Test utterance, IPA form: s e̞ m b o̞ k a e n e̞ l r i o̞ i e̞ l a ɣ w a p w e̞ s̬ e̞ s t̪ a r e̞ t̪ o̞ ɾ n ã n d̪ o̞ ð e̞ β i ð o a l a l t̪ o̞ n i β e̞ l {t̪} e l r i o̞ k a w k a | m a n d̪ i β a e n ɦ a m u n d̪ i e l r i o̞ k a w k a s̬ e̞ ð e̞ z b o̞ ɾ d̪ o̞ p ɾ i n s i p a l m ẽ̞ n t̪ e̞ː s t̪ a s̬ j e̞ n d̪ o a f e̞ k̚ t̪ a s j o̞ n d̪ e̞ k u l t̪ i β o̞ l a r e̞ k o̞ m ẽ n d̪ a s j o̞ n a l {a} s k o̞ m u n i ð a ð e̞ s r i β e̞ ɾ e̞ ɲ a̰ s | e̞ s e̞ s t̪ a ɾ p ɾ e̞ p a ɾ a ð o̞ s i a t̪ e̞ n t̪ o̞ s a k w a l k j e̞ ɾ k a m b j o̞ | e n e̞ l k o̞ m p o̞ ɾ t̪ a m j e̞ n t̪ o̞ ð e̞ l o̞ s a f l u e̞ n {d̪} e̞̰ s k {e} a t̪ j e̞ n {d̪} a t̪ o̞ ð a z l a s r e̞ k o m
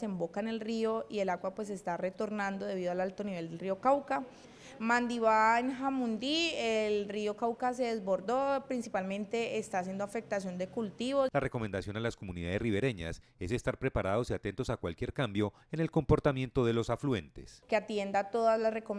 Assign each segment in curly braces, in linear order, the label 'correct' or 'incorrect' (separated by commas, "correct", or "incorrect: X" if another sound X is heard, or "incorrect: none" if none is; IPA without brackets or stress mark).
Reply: incorrect: d̪, correct, incorrect: t̪, correct, correct